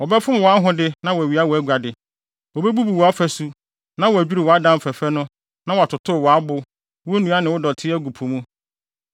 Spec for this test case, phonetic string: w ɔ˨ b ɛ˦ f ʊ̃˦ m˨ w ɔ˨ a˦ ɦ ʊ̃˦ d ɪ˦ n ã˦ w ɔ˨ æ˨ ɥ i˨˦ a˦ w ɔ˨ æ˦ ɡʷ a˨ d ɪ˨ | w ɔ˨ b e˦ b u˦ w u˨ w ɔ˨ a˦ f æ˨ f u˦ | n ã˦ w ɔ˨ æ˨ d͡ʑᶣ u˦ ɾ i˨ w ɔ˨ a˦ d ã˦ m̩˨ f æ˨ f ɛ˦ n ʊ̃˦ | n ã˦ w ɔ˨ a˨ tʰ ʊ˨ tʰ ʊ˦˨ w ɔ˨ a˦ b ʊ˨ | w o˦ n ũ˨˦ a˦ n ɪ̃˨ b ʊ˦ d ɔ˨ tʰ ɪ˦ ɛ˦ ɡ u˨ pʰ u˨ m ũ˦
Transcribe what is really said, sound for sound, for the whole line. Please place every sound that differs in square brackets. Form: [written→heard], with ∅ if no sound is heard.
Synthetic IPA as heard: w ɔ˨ b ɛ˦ f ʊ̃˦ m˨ w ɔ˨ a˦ ɦ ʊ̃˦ d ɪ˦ n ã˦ w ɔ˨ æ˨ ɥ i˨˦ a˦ w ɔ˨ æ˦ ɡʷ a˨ d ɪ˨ | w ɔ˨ b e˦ b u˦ [w→b] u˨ w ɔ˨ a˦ f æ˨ [f→s] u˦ | n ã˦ w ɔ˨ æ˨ d͡ʑᶣ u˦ ɾ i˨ w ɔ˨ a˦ d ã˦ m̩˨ f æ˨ f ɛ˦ n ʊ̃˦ | n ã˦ w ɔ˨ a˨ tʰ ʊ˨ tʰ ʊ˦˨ w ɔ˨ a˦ b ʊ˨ | w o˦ n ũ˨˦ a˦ n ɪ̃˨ [b→w] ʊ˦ d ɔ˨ tʰ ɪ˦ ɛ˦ ɡ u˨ pʰ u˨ m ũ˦

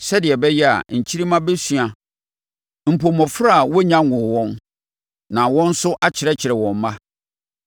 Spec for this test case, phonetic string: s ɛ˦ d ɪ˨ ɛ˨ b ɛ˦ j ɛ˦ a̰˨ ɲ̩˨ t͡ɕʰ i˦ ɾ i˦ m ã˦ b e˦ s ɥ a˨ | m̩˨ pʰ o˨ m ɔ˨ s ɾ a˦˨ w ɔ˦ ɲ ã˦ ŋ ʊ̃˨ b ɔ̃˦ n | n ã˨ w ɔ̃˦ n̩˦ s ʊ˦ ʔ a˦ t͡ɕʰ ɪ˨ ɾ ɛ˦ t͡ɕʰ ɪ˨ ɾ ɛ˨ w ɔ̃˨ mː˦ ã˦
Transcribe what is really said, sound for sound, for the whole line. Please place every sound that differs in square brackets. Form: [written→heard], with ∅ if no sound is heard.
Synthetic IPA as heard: s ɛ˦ d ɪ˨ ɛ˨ b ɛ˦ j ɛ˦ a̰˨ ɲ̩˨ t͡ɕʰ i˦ ɾ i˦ m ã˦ b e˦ s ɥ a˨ | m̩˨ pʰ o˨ m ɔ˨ [s→f] ɾ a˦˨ w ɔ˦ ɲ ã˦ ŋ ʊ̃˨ [b→w] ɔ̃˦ n | n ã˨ w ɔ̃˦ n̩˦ s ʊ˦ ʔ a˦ t͡ɕʰ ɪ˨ ɾ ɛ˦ t͡ɕʰ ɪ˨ ɾ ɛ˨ w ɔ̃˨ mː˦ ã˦

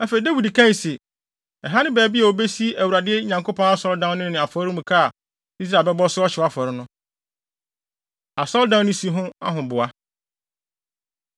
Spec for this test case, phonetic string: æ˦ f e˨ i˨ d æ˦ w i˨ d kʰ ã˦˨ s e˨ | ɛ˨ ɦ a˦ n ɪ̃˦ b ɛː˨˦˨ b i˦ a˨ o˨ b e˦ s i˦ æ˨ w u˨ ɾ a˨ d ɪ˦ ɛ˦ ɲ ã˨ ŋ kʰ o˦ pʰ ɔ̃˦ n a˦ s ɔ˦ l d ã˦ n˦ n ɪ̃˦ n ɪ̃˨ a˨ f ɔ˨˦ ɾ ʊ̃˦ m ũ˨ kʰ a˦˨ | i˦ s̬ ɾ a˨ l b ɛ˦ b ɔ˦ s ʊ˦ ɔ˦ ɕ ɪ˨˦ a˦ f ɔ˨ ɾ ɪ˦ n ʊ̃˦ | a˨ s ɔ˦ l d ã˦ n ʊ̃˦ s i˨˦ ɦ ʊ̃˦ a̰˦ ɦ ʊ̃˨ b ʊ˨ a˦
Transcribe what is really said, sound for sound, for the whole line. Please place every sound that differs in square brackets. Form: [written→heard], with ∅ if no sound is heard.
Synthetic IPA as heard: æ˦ f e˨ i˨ d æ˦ w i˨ d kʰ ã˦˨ s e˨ | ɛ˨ ɦ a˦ n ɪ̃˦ b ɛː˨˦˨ b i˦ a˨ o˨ b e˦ s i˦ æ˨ w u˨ ɾ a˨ d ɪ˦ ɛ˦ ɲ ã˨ ŋ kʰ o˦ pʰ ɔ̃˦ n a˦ s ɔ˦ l d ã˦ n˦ n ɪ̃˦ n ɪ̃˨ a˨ f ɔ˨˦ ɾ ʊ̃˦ m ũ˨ kʰ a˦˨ | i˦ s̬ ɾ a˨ l b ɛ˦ b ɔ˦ s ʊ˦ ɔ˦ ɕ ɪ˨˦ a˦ f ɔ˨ ɾ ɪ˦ n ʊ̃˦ | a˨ s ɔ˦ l d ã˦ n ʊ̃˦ s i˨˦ ɦ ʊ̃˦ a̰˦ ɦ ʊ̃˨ b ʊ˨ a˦

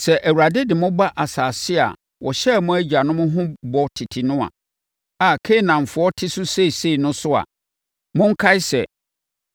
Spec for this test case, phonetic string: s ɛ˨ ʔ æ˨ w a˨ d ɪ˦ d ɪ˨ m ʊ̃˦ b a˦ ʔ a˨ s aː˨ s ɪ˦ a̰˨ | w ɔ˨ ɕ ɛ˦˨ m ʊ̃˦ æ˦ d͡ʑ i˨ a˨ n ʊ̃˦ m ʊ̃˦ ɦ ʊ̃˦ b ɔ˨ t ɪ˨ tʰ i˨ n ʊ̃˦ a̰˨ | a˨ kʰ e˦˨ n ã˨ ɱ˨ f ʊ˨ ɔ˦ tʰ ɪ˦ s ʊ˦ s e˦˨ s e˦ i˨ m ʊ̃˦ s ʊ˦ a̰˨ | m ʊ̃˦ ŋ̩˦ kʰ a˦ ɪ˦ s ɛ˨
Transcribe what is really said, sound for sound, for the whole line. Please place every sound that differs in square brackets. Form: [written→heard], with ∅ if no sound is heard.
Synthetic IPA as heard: s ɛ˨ ʔ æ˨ w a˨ d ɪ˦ d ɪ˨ m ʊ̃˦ b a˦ ʔ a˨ s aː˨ s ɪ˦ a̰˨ | w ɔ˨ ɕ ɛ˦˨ m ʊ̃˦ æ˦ d͡ʑ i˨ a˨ n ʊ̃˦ m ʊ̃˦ ɦ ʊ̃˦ b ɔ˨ [t→tʰ] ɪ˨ tʰ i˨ n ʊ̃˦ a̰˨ | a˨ kʰ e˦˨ n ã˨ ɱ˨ f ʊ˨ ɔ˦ tʰ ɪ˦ s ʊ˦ s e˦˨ s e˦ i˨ [m→n] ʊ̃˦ s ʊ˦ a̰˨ | m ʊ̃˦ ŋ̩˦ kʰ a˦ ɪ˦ s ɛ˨

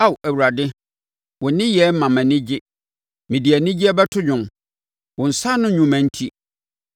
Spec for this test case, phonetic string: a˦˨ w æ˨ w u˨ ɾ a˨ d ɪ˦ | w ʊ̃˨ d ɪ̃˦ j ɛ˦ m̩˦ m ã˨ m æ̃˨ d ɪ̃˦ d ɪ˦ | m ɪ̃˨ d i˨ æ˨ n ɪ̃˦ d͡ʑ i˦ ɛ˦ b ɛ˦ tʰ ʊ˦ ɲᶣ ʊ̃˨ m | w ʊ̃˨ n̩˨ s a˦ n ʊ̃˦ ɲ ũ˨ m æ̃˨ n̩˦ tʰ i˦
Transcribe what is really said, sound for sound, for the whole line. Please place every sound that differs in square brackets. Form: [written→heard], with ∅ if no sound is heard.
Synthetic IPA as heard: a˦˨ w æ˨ w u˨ ɾ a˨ d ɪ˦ | w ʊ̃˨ [d→n] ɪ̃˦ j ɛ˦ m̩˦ m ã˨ m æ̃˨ [d→n] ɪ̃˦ [d→d͡ʑ] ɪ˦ | m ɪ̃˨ d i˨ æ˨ n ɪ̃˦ d͡ʑ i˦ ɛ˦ b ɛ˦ tʰ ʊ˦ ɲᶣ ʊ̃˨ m | w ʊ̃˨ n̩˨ s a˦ n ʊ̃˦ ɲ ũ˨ m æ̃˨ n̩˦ tʰ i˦

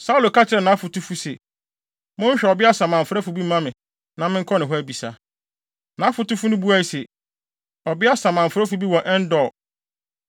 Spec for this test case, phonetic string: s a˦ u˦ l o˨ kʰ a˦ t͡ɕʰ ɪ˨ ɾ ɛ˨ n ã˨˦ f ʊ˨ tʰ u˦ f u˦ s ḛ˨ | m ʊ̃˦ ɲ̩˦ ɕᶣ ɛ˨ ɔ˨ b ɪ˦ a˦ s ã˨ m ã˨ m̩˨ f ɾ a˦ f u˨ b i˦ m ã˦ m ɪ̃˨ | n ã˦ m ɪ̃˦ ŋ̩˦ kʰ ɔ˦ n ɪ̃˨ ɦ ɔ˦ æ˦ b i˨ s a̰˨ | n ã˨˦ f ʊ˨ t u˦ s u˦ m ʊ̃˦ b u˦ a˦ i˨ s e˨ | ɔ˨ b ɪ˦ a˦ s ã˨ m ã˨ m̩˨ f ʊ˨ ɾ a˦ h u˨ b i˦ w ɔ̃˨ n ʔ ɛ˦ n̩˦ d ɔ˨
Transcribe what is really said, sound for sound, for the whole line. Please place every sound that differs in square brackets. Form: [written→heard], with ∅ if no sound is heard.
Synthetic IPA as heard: s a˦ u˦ l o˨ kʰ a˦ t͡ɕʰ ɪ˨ ɾ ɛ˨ n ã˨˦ f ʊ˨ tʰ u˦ f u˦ s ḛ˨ | m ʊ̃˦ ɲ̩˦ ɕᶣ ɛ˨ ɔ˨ b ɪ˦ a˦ s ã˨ m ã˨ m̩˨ f ɾ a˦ f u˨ b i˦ m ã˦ m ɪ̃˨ | n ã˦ m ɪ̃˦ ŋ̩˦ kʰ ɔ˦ n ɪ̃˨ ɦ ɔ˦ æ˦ b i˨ s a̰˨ | n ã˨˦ f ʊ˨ t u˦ [s→f] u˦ [m→n] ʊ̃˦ b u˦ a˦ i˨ s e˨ | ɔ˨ b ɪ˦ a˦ s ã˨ m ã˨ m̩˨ f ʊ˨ ɾ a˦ [h→f] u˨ b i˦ w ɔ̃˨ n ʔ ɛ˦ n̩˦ d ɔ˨

